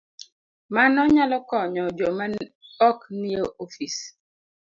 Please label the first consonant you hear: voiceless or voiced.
voiced